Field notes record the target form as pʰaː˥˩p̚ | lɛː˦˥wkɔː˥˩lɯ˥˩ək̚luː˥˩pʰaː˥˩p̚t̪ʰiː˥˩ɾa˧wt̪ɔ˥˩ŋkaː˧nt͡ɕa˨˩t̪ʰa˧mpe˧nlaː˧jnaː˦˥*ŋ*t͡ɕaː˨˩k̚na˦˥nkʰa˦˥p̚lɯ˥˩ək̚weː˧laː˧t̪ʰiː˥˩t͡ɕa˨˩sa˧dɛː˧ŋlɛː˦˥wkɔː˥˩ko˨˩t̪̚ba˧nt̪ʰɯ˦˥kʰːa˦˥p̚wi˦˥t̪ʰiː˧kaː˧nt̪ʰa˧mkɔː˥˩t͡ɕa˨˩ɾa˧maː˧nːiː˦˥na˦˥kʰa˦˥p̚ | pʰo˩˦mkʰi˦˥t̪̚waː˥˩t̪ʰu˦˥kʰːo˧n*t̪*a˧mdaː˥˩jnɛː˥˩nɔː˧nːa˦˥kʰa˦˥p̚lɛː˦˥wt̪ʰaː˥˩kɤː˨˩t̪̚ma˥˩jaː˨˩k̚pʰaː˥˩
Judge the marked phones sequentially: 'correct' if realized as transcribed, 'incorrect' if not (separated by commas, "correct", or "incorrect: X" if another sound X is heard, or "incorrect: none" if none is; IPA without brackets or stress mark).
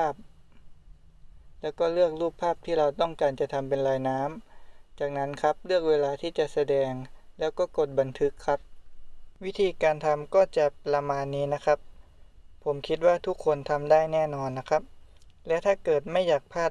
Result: incorrect: m, incorrect: t̪ʰ